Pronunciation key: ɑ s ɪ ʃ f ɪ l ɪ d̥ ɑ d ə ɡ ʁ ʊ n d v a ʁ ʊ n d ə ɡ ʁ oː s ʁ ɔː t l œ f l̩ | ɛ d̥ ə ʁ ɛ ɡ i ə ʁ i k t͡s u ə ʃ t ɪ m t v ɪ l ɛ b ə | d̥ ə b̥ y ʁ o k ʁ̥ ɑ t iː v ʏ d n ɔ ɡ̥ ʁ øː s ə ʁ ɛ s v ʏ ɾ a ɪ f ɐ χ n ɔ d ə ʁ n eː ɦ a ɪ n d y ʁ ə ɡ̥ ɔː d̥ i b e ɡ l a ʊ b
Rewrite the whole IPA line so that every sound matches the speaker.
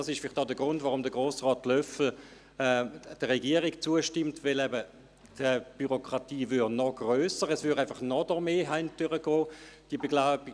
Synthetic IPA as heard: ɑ s ɪ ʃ f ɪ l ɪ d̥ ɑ d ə ɡ ʁ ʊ n d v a ʁ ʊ m d ə ɡ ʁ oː s ʁ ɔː t l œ f l̩ | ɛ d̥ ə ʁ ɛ ɡ i ə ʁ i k t͡s u ə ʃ t ɪ m t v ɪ l ɛ b ə | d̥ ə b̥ y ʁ o k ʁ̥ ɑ t iː v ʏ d n ɔ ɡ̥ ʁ øː s ə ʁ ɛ s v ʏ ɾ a ɪ f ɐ χ n ɔ d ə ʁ m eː ɦ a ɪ n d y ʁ ə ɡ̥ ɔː d̥ i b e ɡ l a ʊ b